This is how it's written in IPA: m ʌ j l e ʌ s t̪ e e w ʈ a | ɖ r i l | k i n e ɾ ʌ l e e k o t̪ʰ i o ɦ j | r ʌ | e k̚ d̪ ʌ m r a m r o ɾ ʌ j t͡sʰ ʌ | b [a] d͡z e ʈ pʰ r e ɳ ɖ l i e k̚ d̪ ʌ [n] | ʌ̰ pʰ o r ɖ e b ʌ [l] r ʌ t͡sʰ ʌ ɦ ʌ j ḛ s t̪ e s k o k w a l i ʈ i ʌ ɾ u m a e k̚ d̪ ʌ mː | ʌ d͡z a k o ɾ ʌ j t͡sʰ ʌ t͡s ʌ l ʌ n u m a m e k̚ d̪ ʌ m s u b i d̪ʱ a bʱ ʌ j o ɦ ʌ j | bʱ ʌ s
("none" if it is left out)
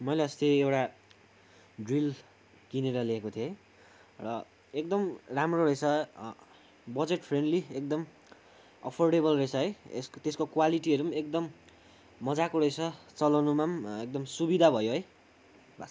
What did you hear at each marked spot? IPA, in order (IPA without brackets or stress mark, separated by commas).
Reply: ʌ, m, l